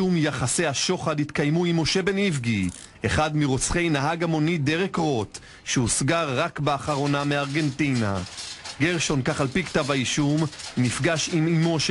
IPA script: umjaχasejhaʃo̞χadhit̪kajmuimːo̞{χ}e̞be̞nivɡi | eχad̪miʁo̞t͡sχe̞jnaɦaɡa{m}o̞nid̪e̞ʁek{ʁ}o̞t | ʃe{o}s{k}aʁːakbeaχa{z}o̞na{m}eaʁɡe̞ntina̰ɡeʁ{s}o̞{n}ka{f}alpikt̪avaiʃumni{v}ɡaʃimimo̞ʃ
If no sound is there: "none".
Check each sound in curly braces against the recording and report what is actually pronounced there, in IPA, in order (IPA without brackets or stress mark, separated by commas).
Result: ʃ, m, ʁ, u, ɡ, ʁ, m, ʃ, n, χ, f